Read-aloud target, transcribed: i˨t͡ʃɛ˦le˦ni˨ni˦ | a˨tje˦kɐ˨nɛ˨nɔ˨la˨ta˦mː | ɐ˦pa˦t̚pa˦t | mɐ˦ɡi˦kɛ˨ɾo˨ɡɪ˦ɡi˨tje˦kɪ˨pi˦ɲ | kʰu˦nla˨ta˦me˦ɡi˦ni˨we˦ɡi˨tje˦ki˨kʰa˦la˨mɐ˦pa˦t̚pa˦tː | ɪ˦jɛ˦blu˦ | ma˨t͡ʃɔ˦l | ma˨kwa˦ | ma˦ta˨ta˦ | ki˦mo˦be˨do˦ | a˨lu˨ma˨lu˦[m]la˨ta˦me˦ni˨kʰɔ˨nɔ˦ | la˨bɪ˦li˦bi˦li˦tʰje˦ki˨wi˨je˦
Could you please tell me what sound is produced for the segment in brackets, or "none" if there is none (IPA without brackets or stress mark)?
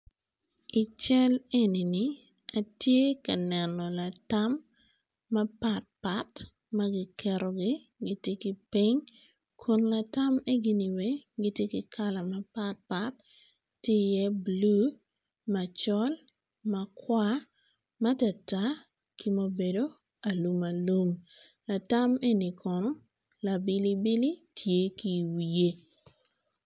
m